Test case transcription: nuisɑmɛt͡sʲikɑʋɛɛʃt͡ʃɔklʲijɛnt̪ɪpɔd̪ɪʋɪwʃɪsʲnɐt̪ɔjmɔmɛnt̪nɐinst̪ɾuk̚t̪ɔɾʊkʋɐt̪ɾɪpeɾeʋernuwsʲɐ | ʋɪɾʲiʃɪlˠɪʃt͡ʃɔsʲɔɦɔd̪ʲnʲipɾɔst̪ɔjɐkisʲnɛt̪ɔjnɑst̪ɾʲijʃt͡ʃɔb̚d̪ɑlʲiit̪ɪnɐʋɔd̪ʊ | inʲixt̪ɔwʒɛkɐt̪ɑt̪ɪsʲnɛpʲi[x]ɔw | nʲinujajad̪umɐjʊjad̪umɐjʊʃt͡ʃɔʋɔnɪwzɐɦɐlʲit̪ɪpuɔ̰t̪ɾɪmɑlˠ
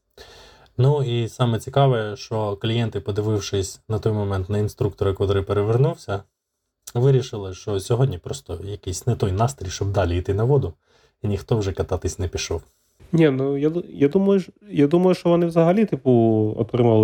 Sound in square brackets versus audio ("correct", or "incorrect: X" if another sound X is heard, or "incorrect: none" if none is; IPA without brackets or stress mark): incorrect: ʃ